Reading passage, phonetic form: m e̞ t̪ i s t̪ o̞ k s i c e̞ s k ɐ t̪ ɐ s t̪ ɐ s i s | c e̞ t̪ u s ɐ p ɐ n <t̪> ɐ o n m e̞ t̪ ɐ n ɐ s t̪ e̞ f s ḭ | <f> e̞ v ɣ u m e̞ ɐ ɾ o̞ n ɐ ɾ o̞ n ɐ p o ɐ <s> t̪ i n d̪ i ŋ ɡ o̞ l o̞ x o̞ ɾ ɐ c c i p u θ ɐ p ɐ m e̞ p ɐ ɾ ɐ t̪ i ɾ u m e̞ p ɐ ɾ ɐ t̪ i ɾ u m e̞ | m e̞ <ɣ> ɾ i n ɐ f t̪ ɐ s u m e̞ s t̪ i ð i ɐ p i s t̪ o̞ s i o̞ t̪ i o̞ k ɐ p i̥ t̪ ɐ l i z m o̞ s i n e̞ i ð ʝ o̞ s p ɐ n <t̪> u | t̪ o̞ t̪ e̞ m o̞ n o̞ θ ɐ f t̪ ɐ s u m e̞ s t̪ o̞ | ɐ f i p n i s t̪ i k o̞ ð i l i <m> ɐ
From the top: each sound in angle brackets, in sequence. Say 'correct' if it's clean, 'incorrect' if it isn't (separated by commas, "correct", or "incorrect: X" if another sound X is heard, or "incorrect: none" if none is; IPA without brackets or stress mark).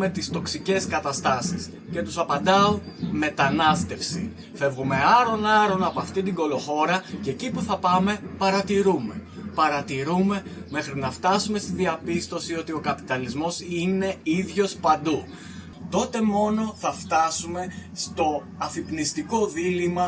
incorrect: d̪, correct, incorrect: f, incorrect: x, incorrect: d̪, correct